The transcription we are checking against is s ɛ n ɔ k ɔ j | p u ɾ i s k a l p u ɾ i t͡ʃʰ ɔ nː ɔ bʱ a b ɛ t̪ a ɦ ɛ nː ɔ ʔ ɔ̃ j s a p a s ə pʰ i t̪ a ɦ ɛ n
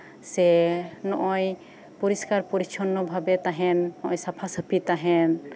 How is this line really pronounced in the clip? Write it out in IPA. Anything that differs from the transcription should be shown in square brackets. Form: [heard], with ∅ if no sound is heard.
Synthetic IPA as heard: s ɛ n ɔ [ʔ] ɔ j | p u ɾ i s k a [ɾ] p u ɾ i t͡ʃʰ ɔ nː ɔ bʱ a b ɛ t̪ a ɦ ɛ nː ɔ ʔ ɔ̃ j s a [pʰ] a s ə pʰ i t̪ a ɦ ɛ n